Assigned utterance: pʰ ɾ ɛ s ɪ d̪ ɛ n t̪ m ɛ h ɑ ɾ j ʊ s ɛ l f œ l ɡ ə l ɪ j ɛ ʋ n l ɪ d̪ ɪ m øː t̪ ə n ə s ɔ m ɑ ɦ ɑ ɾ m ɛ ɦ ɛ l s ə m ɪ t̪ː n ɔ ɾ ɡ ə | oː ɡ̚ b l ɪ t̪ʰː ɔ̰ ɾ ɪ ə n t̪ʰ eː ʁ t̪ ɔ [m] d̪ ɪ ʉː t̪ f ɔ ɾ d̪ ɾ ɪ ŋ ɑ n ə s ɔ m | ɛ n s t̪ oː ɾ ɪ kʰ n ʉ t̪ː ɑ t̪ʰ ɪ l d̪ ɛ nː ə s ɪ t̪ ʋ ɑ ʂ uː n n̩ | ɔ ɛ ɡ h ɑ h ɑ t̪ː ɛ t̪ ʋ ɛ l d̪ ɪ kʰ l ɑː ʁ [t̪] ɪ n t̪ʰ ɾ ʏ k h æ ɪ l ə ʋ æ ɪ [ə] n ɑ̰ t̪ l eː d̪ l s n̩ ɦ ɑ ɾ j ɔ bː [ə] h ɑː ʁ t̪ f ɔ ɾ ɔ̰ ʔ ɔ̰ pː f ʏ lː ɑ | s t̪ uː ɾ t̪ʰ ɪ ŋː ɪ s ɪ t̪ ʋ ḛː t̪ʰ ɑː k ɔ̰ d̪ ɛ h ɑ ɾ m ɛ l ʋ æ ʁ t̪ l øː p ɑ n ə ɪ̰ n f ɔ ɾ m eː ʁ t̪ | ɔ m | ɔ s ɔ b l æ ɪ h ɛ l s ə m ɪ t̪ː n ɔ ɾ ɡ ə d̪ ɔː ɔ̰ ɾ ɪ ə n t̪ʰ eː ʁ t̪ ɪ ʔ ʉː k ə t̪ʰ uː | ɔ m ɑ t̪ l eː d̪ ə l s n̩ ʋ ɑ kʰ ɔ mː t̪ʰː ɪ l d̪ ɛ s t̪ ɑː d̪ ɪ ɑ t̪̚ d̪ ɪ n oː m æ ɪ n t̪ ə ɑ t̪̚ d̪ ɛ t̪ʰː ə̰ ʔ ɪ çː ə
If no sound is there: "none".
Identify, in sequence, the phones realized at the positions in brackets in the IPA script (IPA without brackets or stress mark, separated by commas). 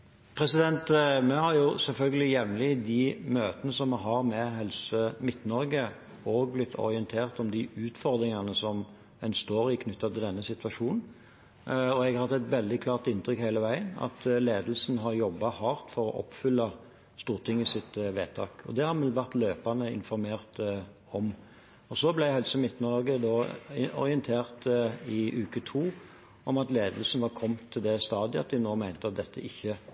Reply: m, t̪, ə, ɑ